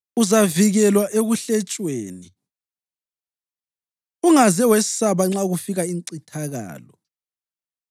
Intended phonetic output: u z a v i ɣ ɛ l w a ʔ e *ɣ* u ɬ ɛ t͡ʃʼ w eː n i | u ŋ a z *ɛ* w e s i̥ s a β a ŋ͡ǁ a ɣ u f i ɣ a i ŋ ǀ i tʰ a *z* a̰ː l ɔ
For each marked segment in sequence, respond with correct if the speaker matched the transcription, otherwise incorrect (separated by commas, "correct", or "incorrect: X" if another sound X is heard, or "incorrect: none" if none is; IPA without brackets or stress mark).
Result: correct, correct, incorrect: ɣ